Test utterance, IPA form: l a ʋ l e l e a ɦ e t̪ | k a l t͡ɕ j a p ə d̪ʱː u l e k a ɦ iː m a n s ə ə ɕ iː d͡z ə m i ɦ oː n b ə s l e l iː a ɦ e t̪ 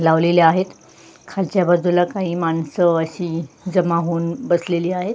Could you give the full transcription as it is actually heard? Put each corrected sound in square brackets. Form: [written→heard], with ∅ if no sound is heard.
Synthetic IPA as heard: l a ʋ l e l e a ɦ e t̪ | [k→kʰ] a l t͡ɕ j a [p→b] ə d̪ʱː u l [e→a] k a ɦ iː m a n s ə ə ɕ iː d͡z ə m [i→a] ɦ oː n b ə s l e l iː a ɦ e t̪